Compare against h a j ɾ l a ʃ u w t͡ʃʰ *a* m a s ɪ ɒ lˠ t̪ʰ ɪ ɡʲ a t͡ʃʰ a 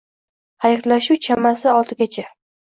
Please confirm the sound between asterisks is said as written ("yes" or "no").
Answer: yes